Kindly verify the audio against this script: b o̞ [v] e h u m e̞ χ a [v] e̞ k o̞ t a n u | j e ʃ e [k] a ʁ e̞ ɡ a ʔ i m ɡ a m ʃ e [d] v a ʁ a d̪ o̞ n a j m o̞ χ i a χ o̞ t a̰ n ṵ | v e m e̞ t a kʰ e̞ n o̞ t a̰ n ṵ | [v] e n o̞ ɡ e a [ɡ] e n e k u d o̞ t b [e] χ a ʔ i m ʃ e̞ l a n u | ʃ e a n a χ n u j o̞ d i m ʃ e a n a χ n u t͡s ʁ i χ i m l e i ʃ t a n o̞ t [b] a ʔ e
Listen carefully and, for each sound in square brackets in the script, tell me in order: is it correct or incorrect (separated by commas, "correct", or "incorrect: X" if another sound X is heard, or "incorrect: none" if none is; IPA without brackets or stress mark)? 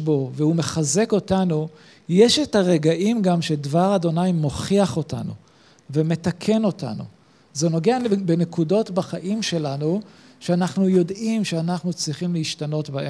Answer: correct, incorrect: z, incorrect: t, correct, incorrect: z, incorrect: b, incorrect: a, correct